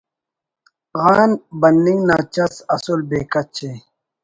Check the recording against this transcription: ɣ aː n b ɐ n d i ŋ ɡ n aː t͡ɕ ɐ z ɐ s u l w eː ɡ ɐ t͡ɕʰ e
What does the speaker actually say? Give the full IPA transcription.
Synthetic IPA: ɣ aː n b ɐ n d i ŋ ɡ n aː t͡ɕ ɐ s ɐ s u l b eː k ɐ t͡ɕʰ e